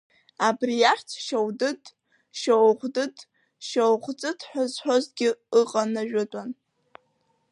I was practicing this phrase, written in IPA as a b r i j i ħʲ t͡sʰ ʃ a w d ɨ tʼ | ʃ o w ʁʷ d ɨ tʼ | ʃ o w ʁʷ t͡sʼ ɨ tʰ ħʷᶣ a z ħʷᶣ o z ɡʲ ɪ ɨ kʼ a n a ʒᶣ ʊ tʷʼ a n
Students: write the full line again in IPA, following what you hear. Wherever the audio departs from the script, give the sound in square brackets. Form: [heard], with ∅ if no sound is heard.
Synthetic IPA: a b r i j [a] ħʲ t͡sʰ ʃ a w d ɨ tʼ | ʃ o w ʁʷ d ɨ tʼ | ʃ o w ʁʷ t͡sʼ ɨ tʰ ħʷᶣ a z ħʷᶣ o z ɡʲ ɪ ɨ [qʼ] a n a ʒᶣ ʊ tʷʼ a n